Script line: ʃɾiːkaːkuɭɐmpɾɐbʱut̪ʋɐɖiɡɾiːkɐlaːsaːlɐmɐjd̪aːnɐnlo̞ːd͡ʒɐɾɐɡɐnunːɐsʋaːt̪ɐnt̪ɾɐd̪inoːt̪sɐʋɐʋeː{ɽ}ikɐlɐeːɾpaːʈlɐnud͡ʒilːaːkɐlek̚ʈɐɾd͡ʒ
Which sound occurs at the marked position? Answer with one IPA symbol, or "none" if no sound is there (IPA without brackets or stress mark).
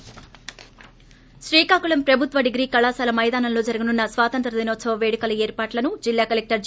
ɽ